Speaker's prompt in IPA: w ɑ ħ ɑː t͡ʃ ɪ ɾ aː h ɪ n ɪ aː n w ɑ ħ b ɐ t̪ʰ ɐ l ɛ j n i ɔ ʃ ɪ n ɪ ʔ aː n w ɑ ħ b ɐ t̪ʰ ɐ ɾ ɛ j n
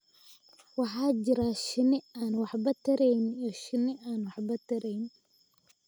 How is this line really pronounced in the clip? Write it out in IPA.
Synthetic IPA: w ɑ ħ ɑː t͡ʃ ɪ ɾ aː ʃ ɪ n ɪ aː n w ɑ ħ b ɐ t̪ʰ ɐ ɾ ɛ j n i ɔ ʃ ɪ n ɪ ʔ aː n w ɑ ħ b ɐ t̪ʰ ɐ ɾ ɛ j n